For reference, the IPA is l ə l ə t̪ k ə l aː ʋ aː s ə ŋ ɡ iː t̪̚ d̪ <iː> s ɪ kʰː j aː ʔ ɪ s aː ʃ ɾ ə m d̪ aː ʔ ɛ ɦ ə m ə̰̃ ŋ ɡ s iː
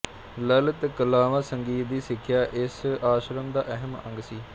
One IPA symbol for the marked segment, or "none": iː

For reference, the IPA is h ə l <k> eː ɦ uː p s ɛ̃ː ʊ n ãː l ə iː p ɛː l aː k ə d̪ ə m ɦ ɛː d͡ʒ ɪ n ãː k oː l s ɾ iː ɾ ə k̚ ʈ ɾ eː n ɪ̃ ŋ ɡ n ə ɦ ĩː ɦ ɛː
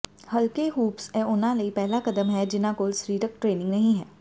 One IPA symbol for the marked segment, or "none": k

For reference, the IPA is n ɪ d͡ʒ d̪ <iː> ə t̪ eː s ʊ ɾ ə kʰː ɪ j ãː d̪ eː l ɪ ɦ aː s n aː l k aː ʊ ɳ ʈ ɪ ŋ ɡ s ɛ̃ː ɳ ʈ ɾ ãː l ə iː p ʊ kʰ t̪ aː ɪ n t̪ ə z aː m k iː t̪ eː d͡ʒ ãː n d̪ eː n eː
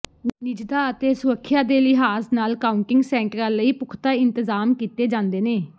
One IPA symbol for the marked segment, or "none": aː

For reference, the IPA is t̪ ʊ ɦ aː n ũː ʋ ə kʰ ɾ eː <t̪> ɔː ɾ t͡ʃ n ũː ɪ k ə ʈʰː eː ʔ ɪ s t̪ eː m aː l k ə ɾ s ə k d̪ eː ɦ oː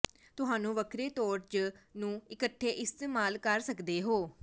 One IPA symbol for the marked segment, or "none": t̪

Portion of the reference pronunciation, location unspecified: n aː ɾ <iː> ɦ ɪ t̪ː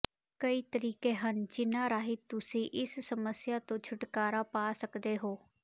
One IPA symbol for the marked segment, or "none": aː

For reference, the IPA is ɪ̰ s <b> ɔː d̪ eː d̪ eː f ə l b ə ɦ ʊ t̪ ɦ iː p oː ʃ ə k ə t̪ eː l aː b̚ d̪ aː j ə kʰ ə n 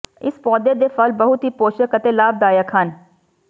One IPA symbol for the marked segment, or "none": p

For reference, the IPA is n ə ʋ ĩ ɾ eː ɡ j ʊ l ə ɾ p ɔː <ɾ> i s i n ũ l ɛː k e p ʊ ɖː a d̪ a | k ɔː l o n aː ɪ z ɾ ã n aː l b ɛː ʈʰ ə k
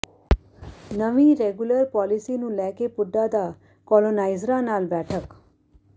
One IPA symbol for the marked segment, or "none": l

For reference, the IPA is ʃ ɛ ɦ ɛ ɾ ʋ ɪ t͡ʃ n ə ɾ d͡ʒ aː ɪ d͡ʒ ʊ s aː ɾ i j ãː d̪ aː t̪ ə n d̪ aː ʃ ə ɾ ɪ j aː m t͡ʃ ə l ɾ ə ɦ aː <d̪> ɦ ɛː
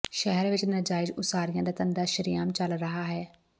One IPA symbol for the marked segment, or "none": none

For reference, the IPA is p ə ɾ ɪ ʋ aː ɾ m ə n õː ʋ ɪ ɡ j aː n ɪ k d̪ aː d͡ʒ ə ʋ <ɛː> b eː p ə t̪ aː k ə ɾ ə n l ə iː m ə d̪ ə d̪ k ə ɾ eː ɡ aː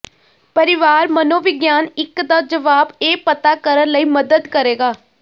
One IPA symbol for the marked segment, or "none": aː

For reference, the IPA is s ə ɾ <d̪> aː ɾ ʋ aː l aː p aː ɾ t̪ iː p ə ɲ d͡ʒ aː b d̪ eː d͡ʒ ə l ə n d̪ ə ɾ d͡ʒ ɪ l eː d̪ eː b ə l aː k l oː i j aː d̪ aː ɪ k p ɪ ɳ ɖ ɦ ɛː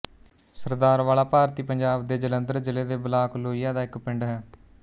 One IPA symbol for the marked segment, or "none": d̪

